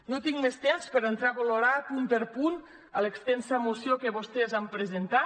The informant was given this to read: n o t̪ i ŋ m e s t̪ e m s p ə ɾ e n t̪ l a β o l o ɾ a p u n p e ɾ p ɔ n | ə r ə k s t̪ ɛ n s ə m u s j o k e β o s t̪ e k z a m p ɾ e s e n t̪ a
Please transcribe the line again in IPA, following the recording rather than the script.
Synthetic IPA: n o t̪ i ŋ m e s t̪ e m s p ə ɾ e n t̪ ɾ a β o l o ɾ a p u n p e ɾ p u n | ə l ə k s t̪ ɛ n s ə m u s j o k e β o s t̪ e z a m p ɾ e z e n t̪ a